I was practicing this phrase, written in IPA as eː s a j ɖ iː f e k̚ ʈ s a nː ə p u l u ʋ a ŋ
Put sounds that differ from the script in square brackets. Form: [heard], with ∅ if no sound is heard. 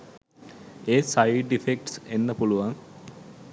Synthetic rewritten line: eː s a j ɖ [i] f e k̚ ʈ s [e] nː ə p u l u ʋ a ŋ